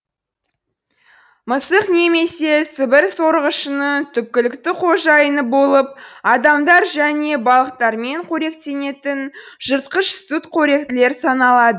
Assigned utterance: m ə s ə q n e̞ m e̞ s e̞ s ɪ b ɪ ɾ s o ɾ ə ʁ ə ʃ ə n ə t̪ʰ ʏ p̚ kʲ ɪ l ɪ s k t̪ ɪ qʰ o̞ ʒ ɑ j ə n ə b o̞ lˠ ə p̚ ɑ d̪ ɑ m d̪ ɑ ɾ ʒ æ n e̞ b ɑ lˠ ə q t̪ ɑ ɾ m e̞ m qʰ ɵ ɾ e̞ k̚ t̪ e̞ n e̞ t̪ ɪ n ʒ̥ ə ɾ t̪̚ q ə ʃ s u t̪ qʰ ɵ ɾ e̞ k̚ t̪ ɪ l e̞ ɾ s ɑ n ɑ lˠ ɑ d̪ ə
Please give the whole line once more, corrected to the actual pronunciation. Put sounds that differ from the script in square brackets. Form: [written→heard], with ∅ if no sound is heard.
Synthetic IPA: m ə s ə q n e̞ m e̞ s e̞ s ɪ b ɪ ɾ s o ɾ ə ʁ ə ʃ ə n ə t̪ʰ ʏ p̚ kʲ ɪ l ɪ [s→∅] k t̪ ɪ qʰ o̞ ʒ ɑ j ə n ə b o̞ lˠ ə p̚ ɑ d̪ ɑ m d̪ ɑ ɾ ʒ æ n e̞ b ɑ lˠ ə q t̪ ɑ ɾ m e̞ [m→ɴ] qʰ ɵ ɾ e̞ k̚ t̪ e̞ n e̞ t̪ ɪ n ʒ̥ ə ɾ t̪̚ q ə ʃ s u t̪ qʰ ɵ ɾ e̞ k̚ t̪ ɪ l e̞ ɾ s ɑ n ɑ lˠ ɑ d̪ ə